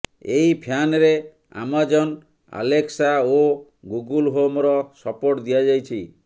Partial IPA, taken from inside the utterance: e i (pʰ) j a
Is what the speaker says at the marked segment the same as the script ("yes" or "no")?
yes